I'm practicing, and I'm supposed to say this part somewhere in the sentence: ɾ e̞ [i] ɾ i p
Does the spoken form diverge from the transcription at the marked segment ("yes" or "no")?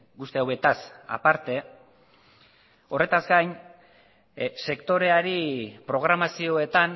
yes